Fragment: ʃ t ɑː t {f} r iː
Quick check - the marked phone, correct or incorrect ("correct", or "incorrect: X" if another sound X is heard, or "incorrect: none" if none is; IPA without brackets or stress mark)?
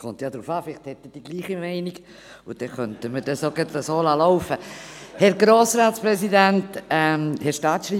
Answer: incorrect: ʃ